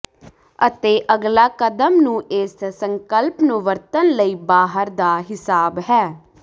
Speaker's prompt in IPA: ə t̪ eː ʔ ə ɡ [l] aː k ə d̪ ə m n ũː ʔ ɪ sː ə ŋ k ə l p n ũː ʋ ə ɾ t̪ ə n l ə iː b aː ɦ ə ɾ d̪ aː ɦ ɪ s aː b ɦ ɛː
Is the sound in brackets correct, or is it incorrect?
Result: correct